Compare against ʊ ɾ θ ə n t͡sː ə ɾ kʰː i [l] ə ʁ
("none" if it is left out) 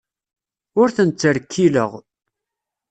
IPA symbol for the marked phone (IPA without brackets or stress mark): l